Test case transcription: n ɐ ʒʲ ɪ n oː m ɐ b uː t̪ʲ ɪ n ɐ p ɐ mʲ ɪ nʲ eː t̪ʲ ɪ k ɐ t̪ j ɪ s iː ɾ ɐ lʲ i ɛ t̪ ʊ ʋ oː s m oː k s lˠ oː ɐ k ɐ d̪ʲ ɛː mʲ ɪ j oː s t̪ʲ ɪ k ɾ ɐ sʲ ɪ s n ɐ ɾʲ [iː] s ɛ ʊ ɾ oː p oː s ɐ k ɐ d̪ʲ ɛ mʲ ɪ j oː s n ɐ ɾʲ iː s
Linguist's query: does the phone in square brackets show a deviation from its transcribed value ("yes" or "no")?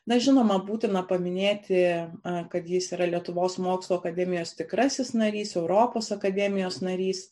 no